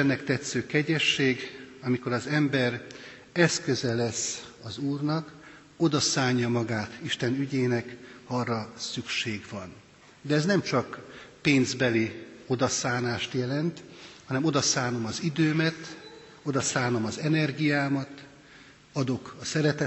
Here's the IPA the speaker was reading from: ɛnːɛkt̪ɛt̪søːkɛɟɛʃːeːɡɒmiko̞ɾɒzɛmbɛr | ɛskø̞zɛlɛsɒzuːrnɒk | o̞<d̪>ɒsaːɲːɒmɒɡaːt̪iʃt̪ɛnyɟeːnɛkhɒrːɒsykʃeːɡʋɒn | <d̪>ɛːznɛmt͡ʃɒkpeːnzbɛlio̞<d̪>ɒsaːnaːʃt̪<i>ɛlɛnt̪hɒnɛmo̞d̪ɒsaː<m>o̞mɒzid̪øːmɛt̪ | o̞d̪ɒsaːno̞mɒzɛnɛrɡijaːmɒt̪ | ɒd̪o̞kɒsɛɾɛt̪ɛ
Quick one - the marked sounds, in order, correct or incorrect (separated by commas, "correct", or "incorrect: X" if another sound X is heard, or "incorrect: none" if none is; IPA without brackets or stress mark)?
correct, correct, correct, incorrect: j, incorrect: n